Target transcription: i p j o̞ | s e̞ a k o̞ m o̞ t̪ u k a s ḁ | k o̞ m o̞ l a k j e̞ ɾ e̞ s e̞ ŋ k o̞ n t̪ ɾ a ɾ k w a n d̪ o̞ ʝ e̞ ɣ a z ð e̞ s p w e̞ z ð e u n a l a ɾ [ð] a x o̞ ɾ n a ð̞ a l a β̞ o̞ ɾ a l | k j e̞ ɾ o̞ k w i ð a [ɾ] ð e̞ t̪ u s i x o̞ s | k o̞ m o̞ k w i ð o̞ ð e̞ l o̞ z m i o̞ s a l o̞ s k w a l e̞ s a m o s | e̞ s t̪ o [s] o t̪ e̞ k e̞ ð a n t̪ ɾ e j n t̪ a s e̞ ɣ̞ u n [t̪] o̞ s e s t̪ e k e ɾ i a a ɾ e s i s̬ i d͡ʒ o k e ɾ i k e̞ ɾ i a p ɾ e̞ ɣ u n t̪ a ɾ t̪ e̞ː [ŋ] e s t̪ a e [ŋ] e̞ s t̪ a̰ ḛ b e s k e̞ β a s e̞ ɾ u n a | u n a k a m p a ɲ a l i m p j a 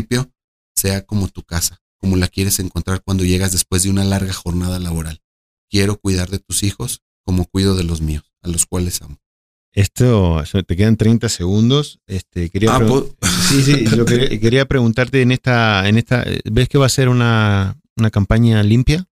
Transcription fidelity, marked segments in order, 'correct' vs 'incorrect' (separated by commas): incorrect, correct, correct, incorrect, incorrect, incorrect